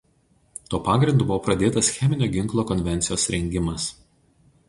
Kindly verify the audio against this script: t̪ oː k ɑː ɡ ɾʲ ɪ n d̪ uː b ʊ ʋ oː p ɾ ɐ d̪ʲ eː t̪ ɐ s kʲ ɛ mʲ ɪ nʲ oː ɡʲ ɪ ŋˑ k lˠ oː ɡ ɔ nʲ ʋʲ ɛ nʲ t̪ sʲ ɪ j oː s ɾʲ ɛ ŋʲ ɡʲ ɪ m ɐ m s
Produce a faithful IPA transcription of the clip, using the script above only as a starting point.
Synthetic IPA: t̪ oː p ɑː ɡ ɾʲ ɪ n d̪ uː b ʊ ʋ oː p ɾ ɐ d̪ʲ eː t̪ ɐ s xʲ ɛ mʲ ɪ nʲ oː ɡʲ ɪ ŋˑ k lˠ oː k ɔ nʲ ʋʲ ɛ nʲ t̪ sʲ ɪ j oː s ɾʲ ɛ ŋʲ ɡʲ ɪ m ɐ s